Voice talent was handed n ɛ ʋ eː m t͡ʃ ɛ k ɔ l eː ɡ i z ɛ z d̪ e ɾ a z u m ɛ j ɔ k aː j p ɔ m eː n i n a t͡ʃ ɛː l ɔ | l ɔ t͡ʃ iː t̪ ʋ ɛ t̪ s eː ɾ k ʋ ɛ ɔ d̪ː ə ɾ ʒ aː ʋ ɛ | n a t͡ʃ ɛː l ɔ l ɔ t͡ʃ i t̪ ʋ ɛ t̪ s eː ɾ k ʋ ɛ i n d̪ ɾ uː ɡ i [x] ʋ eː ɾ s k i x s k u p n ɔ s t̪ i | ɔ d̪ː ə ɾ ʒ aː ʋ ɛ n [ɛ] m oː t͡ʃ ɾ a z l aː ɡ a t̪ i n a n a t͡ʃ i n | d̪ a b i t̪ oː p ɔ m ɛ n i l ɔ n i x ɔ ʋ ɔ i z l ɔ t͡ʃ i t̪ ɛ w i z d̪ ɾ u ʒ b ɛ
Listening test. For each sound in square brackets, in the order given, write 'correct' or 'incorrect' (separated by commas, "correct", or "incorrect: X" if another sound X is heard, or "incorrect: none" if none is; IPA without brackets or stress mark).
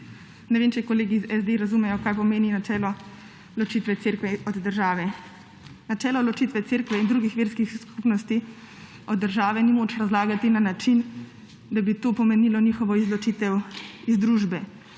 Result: correct, incorrect: i